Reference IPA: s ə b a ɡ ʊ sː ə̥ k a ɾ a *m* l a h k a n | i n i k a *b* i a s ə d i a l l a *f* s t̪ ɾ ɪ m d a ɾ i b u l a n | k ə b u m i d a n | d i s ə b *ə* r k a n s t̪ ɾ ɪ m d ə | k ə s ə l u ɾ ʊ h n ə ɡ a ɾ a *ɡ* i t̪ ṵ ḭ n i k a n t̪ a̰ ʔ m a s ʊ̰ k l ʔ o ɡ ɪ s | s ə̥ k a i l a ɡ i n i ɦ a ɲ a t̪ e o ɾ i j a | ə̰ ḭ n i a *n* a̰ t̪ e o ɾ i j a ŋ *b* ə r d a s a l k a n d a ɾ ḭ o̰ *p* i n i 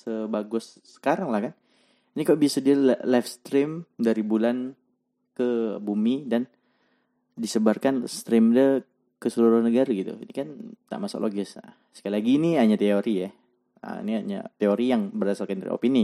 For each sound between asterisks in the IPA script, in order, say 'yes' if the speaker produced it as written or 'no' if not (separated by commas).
no, yes, yes, no, yes, no, yes, yes